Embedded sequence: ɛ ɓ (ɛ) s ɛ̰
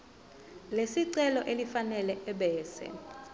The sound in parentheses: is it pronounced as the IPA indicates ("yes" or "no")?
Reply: no